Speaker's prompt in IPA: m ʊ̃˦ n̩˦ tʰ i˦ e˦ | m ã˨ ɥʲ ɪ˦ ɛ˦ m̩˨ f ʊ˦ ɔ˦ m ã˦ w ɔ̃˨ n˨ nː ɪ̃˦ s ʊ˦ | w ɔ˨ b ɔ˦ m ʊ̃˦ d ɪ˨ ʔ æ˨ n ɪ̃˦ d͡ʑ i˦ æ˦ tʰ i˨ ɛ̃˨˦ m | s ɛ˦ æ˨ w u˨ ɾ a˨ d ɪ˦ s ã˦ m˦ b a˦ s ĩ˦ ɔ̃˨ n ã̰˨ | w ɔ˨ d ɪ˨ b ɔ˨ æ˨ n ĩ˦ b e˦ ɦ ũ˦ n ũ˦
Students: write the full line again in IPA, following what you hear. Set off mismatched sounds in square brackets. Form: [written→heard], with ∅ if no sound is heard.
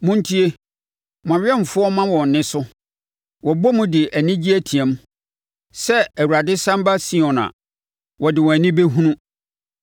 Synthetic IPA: m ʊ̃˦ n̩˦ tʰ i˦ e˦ | m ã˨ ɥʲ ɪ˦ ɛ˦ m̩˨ f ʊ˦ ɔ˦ m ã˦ w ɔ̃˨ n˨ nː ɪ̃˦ s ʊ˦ | w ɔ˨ b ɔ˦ m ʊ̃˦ d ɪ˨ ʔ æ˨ n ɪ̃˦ d͡ʑ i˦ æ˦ tʰ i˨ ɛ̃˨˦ m | s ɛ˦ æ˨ w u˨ ɾ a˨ d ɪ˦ s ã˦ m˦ b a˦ s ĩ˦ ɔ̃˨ n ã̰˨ | w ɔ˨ d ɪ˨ [b→w] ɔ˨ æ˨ n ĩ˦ b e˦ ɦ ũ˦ n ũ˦